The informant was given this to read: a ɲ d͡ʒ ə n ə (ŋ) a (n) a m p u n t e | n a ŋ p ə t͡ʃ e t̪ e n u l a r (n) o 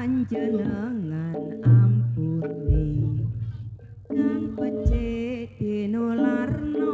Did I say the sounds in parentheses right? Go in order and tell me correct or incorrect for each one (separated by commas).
correct, correct, correct